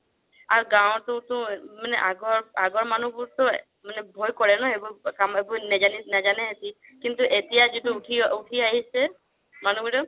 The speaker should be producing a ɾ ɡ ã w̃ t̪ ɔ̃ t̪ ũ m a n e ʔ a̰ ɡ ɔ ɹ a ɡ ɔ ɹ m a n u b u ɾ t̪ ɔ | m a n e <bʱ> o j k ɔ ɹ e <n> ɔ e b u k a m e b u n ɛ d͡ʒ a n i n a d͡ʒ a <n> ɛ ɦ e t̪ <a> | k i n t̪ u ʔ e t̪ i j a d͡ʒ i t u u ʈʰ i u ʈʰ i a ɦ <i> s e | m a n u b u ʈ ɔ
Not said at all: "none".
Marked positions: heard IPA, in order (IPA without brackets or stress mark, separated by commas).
bʱ, n, n, i, i